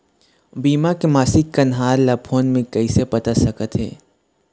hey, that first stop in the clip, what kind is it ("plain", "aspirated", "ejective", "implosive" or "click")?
plain